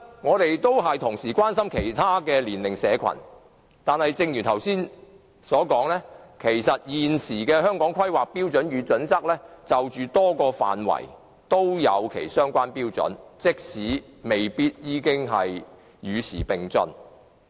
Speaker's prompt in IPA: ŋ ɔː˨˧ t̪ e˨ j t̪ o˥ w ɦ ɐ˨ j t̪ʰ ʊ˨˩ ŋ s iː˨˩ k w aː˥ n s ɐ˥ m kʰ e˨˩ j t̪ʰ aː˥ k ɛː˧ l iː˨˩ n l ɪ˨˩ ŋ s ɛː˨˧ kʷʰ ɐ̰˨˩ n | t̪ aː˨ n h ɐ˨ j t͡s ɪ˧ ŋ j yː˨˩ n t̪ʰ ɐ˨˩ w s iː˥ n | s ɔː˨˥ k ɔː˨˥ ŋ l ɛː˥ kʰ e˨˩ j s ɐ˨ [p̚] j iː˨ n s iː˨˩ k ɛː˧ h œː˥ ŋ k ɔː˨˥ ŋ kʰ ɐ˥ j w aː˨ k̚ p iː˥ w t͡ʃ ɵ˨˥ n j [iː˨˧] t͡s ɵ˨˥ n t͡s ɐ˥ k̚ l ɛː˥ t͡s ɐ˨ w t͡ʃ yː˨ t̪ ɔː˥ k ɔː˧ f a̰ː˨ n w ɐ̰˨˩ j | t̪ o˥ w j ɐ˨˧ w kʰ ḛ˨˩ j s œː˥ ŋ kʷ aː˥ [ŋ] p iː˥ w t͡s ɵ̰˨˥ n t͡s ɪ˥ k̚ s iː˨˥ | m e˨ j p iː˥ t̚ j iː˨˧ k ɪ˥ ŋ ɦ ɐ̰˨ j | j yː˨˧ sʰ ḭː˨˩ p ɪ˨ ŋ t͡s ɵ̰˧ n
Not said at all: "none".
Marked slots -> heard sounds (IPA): t̚, yː˨˧, n

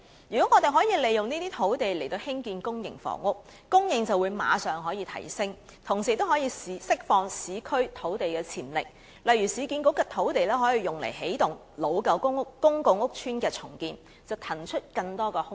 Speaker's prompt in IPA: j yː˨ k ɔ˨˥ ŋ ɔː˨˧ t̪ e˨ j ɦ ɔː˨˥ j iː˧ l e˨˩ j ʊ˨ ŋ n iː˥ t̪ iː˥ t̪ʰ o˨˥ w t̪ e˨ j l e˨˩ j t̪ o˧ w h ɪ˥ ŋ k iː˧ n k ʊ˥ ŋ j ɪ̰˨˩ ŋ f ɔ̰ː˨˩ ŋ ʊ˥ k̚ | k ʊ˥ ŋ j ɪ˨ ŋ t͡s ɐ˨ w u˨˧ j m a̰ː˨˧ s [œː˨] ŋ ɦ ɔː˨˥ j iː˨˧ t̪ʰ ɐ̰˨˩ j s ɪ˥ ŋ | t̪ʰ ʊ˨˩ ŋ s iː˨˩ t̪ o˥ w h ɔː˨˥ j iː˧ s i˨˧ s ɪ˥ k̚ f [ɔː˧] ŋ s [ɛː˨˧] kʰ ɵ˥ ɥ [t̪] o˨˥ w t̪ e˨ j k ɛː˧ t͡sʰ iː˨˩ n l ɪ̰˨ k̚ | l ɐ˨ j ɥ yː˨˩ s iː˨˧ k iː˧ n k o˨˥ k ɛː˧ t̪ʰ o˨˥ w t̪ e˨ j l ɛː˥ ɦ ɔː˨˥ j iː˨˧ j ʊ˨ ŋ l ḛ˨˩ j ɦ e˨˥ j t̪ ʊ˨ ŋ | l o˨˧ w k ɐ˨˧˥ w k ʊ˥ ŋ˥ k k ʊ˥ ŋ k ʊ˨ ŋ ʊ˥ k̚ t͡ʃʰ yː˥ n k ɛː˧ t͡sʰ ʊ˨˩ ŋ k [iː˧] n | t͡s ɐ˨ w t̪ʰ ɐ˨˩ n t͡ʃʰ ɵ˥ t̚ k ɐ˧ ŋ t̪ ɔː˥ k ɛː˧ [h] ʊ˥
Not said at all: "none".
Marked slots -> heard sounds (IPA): œː˨, ɔː˧, iː˨˧, t̪ʰ, iː˧, h

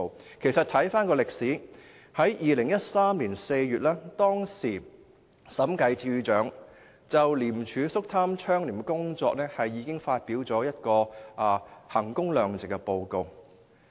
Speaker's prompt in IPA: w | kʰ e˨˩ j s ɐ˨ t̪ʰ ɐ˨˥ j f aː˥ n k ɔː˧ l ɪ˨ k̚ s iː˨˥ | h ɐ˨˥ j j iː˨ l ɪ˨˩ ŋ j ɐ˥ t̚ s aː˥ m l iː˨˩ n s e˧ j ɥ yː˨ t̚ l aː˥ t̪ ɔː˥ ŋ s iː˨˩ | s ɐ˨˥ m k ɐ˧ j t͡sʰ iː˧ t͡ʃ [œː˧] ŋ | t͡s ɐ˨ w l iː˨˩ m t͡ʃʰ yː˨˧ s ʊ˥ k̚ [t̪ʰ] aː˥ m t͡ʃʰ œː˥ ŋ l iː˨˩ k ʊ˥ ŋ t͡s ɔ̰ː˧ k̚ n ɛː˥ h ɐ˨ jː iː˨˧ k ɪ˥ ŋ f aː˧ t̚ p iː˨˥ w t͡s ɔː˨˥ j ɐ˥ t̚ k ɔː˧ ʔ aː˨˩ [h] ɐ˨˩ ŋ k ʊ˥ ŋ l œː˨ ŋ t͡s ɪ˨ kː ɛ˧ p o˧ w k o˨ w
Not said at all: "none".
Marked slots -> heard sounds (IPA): œː˨˥, t̪ʰ, h

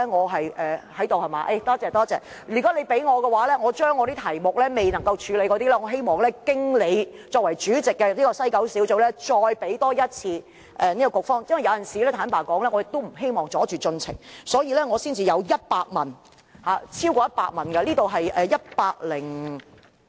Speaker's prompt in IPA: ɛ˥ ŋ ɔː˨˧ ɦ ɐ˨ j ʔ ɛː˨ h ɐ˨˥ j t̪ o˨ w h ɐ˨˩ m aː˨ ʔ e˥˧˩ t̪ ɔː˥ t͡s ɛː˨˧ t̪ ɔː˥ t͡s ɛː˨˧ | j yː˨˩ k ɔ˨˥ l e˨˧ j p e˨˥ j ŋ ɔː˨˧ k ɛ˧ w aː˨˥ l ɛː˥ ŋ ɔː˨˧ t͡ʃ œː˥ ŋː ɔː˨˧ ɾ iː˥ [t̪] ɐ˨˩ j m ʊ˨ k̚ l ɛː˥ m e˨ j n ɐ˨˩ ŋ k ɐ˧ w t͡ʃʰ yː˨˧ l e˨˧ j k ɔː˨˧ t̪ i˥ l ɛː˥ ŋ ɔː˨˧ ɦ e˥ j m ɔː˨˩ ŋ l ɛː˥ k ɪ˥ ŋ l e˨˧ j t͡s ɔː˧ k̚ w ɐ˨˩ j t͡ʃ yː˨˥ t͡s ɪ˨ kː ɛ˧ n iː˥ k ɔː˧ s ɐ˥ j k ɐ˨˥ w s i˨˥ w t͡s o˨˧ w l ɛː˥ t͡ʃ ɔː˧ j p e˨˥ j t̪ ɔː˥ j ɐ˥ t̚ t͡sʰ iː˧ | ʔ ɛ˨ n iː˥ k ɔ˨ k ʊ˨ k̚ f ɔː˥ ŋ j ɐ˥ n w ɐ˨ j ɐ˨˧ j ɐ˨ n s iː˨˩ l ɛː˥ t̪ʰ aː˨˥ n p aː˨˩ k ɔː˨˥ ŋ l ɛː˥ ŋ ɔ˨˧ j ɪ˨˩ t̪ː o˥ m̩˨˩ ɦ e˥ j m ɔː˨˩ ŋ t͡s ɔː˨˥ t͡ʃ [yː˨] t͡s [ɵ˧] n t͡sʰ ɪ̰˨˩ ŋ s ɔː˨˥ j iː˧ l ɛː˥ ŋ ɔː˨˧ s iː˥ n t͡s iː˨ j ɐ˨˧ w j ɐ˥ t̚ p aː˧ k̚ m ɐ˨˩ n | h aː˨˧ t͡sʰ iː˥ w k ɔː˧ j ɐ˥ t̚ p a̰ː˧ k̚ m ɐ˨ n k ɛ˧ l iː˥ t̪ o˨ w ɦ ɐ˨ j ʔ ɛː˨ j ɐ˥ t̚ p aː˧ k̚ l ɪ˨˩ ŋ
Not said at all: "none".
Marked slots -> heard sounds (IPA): t̪ʰ, yː˨, ɵ˧

